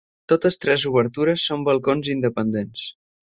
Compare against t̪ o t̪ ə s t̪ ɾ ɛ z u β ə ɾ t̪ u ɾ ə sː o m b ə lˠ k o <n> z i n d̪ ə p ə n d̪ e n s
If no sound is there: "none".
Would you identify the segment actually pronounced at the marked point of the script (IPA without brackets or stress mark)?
n